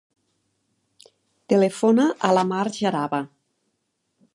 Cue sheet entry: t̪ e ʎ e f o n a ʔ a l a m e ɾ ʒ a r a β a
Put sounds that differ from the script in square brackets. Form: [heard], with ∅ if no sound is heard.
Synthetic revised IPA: t̪ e [l] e f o n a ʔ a l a m [a] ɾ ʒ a [ɾ] a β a